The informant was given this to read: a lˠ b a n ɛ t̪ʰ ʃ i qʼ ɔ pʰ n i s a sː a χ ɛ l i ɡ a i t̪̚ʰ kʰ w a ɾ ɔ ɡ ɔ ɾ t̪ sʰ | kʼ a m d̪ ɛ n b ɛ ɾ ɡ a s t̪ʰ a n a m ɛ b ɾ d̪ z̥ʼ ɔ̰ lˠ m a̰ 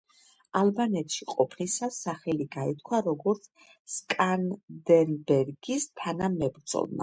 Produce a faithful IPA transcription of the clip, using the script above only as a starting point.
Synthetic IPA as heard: a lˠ b a n ɛ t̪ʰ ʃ i qʼ ɔ pʰ n i s a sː a χ ɛ l i ɡ a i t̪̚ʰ kʰ w a ɾ ɔ ɡ ɔ ɾ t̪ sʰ | kʼ a n d̪ ɛ n b ɛ ɾ ɡ i s t̪ʰ a n a m ɛ b ɾ d̪ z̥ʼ ɔ̰ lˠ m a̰